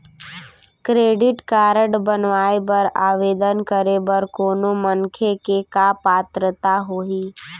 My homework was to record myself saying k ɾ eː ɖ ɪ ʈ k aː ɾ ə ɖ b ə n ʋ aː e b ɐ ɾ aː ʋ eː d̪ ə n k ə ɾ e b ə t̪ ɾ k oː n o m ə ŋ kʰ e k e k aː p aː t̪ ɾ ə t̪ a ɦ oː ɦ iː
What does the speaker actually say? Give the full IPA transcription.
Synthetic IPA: k ɾ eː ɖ ɪ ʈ k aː ɾ ə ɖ b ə n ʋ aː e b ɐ ɾ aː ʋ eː d̪ ə n k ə ɾ e b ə ɾ k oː n o m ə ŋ kʰ e k e k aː p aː t̪ ɾ ə t̪ a ɦ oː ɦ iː